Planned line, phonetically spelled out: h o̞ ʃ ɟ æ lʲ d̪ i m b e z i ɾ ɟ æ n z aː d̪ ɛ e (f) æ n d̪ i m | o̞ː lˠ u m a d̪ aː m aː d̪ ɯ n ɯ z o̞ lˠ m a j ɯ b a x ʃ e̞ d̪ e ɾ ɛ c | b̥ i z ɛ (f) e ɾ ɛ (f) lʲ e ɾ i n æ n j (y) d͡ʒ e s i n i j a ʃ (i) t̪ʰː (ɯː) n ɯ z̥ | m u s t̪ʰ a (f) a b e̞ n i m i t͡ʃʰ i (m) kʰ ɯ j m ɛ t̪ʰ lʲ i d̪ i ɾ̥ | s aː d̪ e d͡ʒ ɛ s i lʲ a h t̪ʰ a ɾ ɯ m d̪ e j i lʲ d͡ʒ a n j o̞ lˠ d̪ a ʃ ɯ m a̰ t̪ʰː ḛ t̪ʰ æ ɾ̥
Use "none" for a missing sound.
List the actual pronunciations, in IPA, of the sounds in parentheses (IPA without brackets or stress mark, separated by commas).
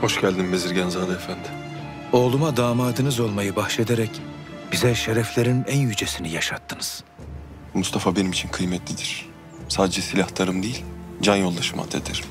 f, ʃ, f, y, a, ɯ, f, n